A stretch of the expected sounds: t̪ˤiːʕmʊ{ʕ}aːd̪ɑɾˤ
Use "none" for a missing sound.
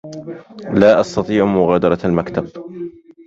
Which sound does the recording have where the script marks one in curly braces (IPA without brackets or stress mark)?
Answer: ɣ